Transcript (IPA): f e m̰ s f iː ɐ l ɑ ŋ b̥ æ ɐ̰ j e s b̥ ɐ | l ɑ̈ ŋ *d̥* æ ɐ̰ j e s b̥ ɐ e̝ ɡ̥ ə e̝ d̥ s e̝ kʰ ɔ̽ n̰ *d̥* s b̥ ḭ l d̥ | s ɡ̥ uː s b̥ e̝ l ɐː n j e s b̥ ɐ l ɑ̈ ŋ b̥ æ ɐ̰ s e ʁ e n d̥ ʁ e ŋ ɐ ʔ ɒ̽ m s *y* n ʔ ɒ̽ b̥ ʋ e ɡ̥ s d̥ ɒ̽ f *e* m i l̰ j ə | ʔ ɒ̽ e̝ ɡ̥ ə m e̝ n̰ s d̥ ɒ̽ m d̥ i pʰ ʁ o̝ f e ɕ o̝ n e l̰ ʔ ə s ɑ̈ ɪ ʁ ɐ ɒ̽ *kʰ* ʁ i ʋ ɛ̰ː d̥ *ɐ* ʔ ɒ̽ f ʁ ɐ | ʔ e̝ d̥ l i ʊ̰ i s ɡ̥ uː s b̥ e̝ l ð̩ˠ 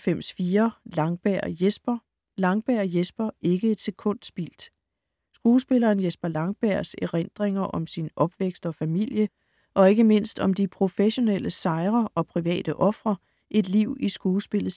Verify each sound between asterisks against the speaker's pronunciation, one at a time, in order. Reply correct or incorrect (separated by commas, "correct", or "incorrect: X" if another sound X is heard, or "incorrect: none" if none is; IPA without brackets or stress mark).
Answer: incorrect: b̥, correct, incorrect: i, incorrect: æ, incorrect: pʰ, incorrect: ə